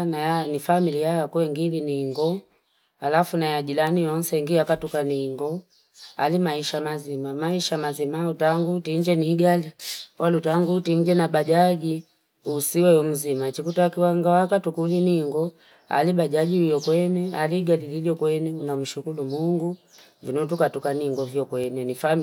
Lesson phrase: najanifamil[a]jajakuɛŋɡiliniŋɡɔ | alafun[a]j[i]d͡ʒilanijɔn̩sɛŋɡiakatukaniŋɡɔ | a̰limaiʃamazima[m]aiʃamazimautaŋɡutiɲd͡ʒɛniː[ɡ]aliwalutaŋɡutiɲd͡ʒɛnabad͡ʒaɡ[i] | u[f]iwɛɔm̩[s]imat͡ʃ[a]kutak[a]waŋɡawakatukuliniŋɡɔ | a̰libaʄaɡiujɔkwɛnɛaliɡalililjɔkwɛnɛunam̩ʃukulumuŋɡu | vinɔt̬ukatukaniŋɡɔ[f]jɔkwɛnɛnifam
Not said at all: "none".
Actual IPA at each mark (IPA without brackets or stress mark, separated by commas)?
i, a, a, m, ɡ, i, s, z, i, i, v